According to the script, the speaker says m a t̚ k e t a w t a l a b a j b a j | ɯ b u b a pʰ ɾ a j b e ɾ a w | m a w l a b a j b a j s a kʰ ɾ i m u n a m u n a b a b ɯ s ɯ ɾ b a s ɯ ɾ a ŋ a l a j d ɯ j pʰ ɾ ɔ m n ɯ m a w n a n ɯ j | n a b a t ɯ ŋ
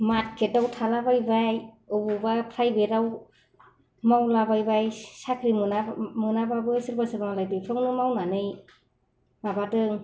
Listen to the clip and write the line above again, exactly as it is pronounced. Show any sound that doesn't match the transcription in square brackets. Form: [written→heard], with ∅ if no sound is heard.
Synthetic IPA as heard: m a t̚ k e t a w [t→tʰ] a l a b a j b a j | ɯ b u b a pʰ ɾ a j b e ɾ a w | m a w l a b a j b a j s a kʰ ɾ i m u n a m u n a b a b ɯ s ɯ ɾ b a s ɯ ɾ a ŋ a l a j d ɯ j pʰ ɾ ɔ [m→ŋ] n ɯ m a w n a n ɯ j | [n→m] a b a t ɯ ŋ